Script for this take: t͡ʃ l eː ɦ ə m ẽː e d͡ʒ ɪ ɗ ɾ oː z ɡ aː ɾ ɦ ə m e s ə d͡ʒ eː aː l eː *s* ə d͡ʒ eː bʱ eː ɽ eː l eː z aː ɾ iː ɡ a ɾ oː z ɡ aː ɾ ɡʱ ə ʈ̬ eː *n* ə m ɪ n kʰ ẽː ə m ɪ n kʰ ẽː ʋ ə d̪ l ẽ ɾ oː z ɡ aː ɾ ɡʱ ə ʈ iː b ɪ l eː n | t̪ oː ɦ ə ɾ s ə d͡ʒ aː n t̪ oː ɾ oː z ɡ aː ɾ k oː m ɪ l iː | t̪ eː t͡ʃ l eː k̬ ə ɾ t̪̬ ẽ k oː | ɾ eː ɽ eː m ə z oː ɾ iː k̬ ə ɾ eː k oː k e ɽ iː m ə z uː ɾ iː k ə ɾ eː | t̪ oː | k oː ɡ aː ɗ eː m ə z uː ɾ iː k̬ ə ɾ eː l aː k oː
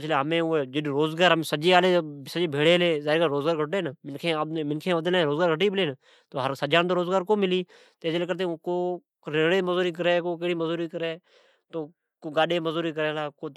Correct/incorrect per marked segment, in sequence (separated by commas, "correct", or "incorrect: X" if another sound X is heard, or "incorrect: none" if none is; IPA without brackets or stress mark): correct, correct